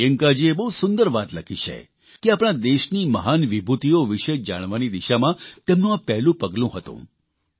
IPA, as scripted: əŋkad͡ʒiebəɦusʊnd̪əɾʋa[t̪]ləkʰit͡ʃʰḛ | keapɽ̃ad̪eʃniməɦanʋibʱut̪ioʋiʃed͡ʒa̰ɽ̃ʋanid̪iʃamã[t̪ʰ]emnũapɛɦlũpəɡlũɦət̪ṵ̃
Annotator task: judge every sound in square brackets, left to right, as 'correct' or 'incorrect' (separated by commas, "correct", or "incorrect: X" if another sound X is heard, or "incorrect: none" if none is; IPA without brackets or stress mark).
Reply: correct, incorrect: t̪